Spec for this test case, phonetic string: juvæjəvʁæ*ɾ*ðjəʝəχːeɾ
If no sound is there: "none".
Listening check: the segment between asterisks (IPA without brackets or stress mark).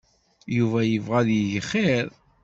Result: none